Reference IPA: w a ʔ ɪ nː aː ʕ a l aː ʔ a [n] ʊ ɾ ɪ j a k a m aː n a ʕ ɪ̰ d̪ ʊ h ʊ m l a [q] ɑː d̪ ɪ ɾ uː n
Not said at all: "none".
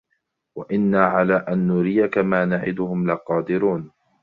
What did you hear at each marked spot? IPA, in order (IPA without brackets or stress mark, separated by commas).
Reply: nː, q